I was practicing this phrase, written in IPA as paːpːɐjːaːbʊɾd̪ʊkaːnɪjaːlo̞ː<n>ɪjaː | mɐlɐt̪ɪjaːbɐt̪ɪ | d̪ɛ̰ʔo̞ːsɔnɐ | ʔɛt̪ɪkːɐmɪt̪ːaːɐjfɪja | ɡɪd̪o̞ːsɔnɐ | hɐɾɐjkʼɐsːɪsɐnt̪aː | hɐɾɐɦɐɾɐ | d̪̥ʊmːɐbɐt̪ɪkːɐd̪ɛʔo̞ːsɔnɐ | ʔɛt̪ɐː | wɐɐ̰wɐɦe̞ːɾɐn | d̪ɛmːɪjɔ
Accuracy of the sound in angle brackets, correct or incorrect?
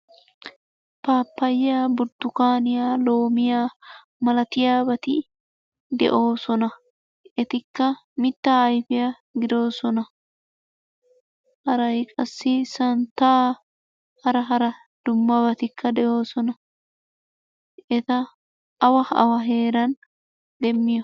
incorrect